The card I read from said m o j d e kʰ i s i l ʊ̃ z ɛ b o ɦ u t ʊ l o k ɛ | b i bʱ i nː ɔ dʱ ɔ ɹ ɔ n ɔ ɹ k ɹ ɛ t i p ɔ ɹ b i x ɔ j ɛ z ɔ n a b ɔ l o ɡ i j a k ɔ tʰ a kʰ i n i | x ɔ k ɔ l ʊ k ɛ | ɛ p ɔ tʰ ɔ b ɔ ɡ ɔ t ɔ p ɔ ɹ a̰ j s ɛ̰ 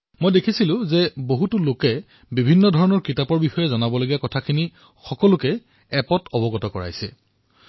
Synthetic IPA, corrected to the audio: m o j d e kʰ i s i l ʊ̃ z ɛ b o ɦ u t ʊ l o k ɛ | b i bʱ i nː ɔ dʱ ɔ ɹ ɔ n ɔ ɹ k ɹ i t a p ɔ ɹ b i x ɔ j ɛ z ɔ n a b ɔ l o ɡ i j a k ɔ tʰ a kʰ i n i | x ɔ k ɔ l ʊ k ɛ | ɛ p ɔ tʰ ɔ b ɔ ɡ ɔ t ɔ k ɔ ɹ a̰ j s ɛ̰

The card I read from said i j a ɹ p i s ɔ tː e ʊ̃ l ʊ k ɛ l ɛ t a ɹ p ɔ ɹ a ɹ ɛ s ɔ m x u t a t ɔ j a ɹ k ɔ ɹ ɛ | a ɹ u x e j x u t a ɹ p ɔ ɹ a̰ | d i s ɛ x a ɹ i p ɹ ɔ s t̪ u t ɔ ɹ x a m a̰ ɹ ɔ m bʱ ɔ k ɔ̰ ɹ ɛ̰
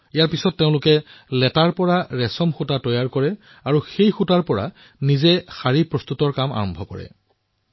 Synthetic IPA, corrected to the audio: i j a ɹ p i s ɔ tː e ʊ̃ l ʊ k ɛ l ɛ t a ɹ p ɔ ɹ a ɹ ɛ s ɔ m x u t a t ɔ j a ɹ k ɔ ɹ ɛ | a ɹ u x e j x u t a ɹ p ɔ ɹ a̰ | n i z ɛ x a ɹ i p ɹ ɔ s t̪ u t ɔ ɹ k a m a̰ ɹ ɔ m bʱ ɔ k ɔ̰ ɹ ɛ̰

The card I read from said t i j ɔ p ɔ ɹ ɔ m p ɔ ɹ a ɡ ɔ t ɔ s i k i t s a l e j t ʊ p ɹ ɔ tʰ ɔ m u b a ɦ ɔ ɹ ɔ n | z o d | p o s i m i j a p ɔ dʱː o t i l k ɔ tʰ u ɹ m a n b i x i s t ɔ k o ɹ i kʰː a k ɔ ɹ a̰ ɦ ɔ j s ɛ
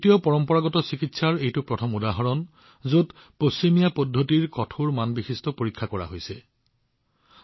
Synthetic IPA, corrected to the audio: t i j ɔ p ɔ ɹ ɔ m p ɔ ɹ a ɡ ɔ t ɔ s i k i t s a ɹ e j t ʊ p ɹ ɔ tʰ ɔ m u d a ɦ ɔ ɹ ɔ n | z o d | p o s i m i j a p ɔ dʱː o t i ɹ k ɔ tʰ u ɹ m a n b i x i s t ɔ p o ɹ i kʰː a k ɔ ɹ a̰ ɦ o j s ɛ

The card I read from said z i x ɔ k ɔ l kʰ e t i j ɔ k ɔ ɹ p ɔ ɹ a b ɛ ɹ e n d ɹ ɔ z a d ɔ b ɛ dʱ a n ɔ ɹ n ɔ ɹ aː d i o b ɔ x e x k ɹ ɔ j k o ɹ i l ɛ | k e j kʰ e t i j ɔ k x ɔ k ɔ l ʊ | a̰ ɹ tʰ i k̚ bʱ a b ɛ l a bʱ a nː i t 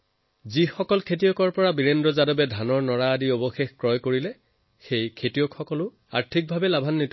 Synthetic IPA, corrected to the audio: z i x ɔ k ɔ l kʰ e t i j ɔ k ɔ ɹ p ɔ ɹ a b i ɹ e n d ɹ ɔ z a d ɔ b ɛ dʱ a n ɔ ɹ n ɔ ɹ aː d i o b ɔ x e x k ɹ ɔ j k o ɹ i l ɛ | x e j kʰ e t i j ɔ k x ɔ k ɔ l ʊ | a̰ ɹ tʰ i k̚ bʱ a b ɛ l a bʱ a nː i t

